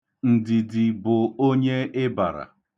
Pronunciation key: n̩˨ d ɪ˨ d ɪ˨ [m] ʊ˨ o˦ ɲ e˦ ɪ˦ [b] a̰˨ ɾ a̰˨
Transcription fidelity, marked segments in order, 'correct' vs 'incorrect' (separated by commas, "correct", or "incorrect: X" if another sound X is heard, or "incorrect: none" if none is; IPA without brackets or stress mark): incorrect: b, correct